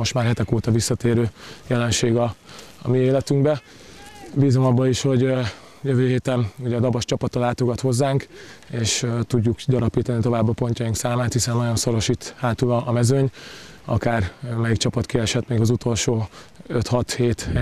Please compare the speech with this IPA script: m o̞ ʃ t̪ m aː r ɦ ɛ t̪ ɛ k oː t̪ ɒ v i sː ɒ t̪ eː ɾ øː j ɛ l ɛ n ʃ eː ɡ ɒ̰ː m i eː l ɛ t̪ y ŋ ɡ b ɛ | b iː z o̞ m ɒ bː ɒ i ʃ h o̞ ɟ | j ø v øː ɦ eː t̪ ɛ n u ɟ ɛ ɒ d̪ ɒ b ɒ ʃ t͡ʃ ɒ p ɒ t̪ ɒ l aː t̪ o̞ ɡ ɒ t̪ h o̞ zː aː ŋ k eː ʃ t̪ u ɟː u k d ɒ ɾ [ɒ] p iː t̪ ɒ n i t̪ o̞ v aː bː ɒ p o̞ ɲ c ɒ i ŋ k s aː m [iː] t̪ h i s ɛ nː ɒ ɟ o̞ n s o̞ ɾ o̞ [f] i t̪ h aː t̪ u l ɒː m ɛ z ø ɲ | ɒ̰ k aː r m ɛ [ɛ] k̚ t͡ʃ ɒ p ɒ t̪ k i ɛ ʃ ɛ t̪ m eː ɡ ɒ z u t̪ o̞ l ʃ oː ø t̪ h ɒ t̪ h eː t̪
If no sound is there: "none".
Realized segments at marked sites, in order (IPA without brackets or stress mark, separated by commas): ɒ, aː, ʃ, i